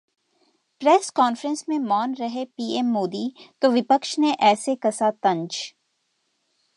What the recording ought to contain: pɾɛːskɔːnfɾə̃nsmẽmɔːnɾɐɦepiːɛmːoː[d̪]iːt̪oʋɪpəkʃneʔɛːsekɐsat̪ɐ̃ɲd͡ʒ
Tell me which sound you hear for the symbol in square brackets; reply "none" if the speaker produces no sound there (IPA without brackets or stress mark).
d̪